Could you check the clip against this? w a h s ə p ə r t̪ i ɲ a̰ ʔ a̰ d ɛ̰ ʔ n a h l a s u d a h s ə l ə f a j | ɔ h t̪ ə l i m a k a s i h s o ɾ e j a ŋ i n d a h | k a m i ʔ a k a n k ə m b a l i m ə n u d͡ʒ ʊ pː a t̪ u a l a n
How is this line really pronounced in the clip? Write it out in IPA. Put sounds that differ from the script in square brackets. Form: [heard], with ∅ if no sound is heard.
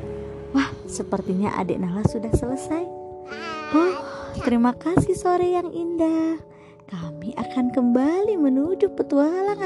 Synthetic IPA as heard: w a h s ə p ə r t̪ i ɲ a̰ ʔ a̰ d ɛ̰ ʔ n a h l a s u d a h s ə l ə [s] a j | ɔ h t̪ ə [ɾ] i m a k a s i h s o ɾ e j a ŋ i n d a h | k a m i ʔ a k a n k ə m b a l i m ə n u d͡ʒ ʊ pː [ə] t̪ u a l a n